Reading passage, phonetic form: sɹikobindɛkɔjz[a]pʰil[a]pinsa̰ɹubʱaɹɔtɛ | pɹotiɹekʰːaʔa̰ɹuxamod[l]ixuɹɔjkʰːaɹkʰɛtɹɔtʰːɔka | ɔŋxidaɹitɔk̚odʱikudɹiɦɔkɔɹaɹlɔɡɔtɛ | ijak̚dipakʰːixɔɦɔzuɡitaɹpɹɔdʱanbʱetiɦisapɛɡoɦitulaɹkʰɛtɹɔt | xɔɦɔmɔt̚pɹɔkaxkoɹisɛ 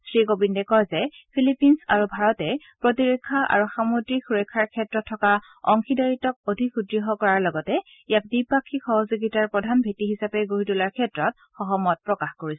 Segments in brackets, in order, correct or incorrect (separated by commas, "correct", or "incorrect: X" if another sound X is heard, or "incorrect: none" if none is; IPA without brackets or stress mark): incorrect: ɛ, incorrect: i, incorrect: ɹ